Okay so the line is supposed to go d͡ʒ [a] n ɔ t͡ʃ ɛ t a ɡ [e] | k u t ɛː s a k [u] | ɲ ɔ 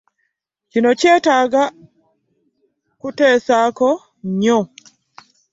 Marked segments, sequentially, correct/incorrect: incorrect: i, incorrect: a, incorrect: ɔ

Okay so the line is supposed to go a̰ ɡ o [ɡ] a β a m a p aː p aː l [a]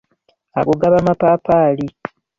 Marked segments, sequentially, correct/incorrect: correct, incorrect: i

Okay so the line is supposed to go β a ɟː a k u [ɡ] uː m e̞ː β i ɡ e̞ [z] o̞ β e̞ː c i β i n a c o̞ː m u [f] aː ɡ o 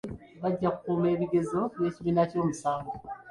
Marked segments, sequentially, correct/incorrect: incorrect: k, correct, incorrect: s

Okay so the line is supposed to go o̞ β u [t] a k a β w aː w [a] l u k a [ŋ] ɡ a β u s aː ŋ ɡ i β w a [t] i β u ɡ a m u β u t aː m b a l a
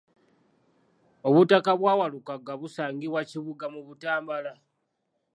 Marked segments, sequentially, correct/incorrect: correct, correct, incorrect: none, incorrect: c

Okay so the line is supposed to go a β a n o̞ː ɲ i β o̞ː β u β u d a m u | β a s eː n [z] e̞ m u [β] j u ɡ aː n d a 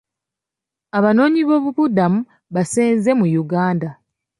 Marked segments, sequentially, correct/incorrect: correct, incorrect: none

